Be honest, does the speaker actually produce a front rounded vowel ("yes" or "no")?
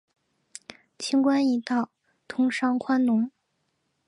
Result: no